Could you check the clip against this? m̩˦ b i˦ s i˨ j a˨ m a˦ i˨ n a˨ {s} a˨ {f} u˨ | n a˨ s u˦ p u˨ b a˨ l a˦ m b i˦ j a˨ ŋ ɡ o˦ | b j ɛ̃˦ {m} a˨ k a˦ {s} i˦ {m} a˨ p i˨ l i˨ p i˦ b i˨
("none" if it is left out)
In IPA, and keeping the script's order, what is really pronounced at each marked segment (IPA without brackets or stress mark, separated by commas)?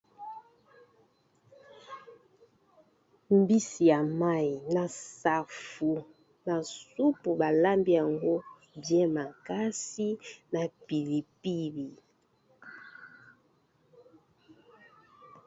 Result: s, f, m, s, n